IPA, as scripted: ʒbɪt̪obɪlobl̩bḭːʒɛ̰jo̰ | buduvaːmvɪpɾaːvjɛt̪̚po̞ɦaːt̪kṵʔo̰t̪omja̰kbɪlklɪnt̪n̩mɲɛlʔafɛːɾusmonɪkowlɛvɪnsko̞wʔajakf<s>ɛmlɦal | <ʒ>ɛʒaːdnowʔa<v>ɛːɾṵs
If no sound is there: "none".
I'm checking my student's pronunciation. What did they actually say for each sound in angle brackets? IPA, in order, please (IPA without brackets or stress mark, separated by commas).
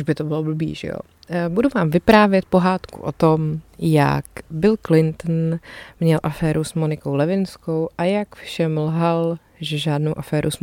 ʃ, ʒ, f